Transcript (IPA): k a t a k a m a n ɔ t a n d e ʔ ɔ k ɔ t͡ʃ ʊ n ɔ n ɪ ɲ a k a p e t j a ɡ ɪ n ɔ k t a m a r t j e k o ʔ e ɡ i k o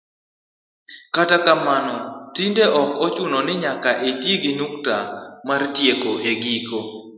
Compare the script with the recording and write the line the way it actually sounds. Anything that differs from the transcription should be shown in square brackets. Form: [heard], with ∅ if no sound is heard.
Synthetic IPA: k a t a k a m a n ɔ t [i] n d e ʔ ɔ k ɔ t͡ʃ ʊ n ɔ n ɪ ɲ a k a [ʔ] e t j [e] ɡ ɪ n [u] k t a m a r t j e k o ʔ e ɡ i k o